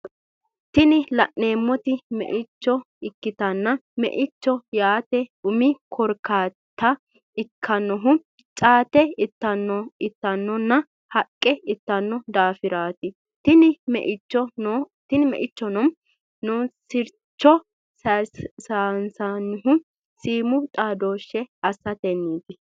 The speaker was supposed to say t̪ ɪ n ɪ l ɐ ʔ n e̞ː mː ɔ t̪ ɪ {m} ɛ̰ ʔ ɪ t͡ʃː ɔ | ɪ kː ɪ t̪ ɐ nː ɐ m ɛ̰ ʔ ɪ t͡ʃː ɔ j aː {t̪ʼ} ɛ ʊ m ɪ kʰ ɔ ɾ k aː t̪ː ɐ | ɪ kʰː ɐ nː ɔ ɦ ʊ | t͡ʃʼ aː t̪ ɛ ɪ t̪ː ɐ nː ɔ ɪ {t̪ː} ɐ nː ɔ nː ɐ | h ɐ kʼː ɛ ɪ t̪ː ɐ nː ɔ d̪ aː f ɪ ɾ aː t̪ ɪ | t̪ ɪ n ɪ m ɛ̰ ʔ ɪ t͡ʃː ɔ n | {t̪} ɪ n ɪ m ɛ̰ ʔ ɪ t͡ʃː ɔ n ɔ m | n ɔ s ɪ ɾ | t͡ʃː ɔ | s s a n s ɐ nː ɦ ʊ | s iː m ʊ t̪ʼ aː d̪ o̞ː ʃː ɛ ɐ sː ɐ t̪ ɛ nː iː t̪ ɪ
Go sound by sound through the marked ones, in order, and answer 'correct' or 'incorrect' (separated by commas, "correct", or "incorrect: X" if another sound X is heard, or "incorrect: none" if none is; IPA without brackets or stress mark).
correct, incorrect: t̪, correct, correct